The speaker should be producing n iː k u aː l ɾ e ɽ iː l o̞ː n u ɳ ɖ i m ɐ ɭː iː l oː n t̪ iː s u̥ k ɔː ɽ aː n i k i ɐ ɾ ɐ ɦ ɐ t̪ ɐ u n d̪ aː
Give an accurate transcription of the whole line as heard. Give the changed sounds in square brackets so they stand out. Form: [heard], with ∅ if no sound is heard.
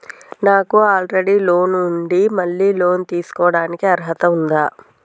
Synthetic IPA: n [aː] k u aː l ɾ e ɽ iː l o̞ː n u ɳ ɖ i m ɐ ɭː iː l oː n t̪ iː s u̥ k ɔː ɽ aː n i k i ɐ ɾ ɐ ɦ ɐ t̪ ɐ u n d̪ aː